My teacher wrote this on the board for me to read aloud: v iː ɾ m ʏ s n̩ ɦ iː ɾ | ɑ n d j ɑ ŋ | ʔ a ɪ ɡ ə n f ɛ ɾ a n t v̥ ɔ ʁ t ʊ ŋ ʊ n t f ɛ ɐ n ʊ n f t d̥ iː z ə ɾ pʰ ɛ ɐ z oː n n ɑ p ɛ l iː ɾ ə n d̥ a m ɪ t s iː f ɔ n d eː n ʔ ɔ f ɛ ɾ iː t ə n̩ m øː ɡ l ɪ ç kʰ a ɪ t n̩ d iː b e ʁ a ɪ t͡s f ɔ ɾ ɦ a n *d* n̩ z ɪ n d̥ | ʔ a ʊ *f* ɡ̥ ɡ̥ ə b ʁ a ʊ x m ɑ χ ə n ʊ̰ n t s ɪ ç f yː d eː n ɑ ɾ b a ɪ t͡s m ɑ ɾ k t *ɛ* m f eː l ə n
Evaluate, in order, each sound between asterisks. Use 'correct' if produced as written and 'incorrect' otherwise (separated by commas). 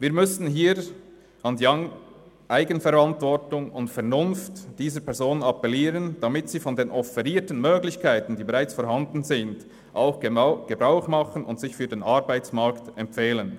correct, incorrect, correct